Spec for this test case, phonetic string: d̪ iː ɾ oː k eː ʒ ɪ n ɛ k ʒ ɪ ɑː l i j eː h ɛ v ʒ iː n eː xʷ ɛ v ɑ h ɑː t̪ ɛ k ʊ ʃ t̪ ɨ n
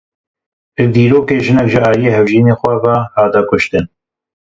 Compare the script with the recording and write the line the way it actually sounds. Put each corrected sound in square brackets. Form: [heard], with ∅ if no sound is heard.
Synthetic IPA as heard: d̪ iː ɾ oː k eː ʒ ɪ n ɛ k ʒ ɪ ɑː l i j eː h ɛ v ʒ iː n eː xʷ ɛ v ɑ h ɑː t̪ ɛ k ʊ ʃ t̪ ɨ n